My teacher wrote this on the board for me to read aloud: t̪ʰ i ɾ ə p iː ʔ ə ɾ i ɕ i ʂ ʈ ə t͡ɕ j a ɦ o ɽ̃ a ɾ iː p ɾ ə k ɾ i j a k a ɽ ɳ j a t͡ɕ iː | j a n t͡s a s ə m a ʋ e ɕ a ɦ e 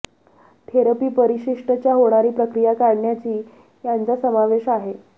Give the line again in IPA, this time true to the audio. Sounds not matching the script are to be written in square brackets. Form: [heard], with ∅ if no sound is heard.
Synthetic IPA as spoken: t̪ʰ [e] ɾ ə p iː [p] ə ɾ i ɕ i ʂ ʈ ə t͡ɕ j a ɦ o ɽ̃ a ɾ iː p ɾ ə k ɾ i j a k a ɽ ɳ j a t͡ɕ iː | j a n t͡s a s ə m a ʋ e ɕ a ɦ e